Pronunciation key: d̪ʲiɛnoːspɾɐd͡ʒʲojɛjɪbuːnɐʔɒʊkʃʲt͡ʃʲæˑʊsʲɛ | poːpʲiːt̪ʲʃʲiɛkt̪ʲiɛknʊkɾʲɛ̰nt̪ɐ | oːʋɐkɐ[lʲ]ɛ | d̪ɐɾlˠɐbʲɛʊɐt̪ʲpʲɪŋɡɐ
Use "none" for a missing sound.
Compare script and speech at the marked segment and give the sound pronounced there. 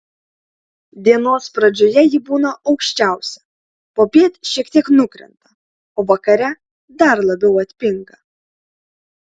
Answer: ɾʲ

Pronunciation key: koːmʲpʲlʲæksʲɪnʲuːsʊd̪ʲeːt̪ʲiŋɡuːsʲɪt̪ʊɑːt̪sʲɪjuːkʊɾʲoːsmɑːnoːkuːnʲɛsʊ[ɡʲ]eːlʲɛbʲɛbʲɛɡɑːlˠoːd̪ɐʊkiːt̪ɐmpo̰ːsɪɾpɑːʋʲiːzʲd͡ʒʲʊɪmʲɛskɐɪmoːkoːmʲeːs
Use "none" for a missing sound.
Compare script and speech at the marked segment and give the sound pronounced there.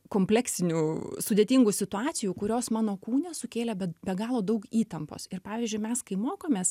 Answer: kʲ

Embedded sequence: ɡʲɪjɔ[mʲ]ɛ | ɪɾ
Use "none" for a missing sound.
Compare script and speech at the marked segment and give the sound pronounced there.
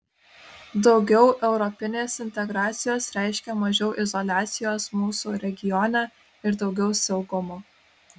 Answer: nʲ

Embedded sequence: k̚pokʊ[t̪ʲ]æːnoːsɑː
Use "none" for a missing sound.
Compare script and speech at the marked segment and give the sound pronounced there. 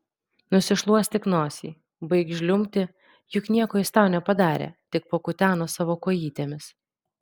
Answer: t̪ʲ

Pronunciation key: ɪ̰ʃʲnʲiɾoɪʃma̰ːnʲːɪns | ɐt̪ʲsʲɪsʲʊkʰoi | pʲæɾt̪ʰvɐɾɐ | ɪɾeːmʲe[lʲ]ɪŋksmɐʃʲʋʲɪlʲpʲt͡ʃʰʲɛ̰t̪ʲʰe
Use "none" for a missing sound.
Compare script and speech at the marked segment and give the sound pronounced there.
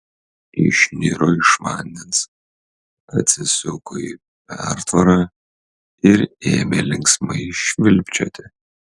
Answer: lʲ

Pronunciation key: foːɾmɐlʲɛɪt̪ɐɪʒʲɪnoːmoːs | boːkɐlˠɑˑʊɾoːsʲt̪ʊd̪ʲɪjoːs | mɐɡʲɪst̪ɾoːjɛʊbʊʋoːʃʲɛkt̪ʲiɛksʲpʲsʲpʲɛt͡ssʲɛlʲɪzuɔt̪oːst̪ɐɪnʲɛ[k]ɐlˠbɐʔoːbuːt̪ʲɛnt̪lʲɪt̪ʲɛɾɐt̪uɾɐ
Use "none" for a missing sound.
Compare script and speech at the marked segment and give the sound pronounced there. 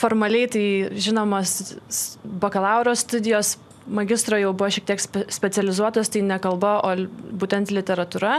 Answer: k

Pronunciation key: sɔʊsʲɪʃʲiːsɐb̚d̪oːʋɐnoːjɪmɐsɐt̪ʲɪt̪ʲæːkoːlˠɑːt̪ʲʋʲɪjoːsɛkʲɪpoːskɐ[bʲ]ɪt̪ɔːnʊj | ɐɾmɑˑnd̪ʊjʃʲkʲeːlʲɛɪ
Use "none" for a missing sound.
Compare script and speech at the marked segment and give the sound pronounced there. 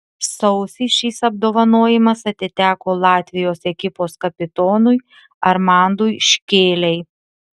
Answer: pʲ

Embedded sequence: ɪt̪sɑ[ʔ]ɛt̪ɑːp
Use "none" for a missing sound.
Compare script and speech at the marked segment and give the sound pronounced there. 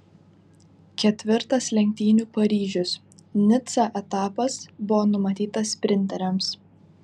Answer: ʔ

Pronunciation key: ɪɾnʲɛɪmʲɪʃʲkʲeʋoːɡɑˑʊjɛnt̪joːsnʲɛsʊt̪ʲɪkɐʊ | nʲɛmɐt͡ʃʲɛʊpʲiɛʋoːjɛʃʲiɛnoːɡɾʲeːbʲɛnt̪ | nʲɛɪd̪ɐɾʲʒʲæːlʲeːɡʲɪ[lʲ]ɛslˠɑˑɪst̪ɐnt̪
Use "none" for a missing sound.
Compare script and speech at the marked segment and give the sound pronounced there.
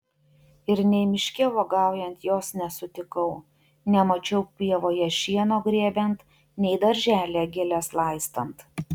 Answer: lʲ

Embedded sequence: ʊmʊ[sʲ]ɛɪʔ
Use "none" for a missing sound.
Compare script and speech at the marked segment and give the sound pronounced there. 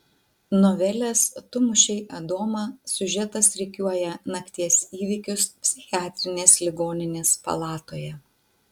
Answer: ʃʲ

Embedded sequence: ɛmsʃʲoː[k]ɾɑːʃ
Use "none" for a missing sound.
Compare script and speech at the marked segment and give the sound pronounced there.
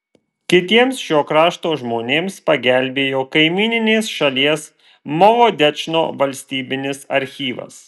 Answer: k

